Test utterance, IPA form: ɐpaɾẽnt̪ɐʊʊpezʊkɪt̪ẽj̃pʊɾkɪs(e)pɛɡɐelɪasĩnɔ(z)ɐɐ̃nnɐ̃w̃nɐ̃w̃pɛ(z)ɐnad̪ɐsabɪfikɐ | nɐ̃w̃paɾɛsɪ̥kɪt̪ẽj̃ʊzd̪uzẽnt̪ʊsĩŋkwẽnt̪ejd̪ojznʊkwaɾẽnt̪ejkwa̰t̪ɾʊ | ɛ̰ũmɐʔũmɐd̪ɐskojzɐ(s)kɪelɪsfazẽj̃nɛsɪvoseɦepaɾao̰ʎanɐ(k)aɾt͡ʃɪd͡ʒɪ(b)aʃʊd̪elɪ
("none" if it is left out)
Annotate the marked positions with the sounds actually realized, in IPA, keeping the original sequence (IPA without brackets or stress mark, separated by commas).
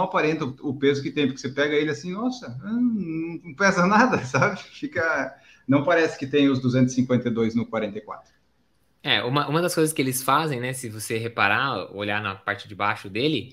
e, s, z, s, p, b